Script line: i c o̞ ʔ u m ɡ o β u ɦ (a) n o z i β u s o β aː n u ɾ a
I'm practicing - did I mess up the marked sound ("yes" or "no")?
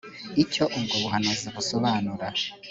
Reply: no